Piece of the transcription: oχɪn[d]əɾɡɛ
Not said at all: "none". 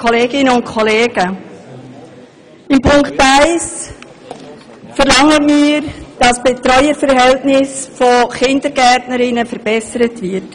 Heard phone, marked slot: d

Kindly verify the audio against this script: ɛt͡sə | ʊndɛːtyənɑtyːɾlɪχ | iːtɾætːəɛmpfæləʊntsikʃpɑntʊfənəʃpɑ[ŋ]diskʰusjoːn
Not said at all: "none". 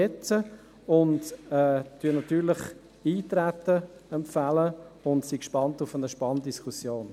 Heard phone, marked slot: n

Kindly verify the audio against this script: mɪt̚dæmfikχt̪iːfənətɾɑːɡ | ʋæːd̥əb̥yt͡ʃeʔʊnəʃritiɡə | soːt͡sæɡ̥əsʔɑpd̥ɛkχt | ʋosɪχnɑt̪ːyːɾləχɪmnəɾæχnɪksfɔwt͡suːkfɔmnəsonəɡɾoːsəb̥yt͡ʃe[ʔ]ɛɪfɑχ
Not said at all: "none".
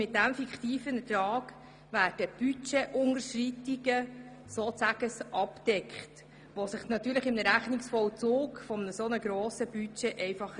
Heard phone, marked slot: ʔ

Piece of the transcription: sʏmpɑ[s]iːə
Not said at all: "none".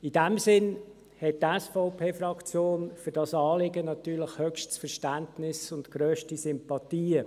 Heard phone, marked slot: t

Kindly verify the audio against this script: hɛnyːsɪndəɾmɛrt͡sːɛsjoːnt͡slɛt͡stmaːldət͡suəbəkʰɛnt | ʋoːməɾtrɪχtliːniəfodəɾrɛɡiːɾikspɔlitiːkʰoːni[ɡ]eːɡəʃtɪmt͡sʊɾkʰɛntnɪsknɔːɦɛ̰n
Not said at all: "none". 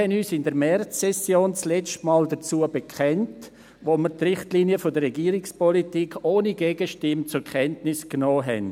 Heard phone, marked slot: ɡ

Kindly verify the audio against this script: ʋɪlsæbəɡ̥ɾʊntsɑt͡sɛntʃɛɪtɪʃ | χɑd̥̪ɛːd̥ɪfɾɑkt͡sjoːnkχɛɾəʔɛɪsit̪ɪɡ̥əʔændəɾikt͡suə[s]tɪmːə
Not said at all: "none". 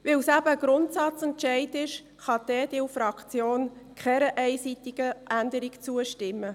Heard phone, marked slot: ʃ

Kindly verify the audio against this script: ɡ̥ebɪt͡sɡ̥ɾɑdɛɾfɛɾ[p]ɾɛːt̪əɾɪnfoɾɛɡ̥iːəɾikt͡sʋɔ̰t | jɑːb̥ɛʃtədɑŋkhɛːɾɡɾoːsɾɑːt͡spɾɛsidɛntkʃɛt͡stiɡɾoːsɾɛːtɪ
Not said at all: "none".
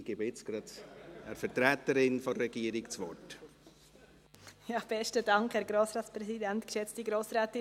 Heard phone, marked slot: t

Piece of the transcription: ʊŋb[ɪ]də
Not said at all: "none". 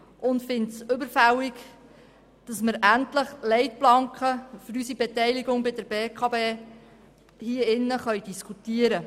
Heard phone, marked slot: ɪ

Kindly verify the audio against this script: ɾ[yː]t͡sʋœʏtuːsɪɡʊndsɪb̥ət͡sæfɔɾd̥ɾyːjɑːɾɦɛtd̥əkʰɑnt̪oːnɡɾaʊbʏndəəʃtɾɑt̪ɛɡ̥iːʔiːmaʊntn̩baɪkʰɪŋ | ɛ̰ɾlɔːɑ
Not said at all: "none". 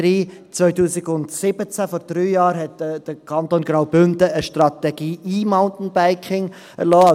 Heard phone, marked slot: iː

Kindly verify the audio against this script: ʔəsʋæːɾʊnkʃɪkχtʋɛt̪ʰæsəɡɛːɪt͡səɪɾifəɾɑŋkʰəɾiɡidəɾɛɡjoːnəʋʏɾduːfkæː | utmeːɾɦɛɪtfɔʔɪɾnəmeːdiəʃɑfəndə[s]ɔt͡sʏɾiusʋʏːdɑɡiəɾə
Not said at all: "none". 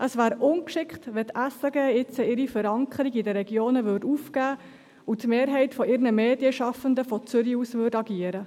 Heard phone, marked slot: f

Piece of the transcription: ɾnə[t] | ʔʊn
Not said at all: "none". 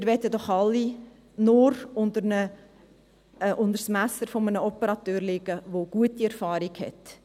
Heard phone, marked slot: none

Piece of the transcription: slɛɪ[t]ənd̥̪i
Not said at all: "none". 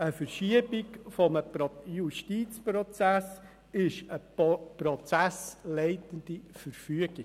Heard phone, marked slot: t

